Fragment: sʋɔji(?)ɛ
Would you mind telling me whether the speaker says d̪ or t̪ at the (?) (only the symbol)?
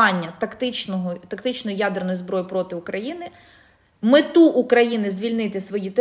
t̪